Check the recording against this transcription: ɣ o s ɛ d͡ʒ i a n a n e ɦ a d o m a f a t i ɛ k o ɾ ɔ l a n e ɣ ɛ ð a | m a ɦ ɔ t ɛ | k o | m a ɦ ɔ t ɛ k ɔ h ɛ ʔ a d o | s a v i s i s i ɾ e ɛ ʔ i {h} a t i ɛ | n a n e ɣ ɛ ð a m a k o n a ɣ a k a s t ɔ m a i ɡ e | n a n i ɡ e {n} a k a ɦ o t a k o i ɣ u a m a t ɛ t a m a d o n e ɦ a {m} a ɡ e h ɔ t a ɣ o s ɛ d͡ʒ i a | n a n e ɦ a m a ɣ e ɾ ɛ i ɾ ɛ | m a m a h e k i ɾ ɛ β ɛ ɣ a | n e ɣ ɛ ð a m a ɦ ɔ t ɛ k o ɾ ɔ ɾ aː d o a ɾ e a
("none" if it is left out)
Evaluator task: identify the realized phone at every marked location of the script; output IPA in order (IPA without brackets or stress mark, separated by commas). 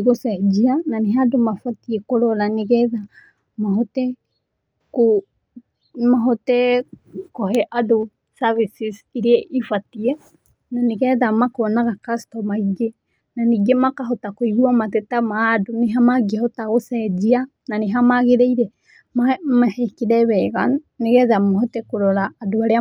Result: f, m, m